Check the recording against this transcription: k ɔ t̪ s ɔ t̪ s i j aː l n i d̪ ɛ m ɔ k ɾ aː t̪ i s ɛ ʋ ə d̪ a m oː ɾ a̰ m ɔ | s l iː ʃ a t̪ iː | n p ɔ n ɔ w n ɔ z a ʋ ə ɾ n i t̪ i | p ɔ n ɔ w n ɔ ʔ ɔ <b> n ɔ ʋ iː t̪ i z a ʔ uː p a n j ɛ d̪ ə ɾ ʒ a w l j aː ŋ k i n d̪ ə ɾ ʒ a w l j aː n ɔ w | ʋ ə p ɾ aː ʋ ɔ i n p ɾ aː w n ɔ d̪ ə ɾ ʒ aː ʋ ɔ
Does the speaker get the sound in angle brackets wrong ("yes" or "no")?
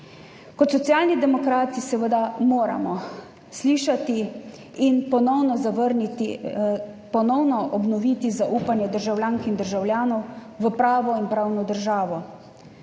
no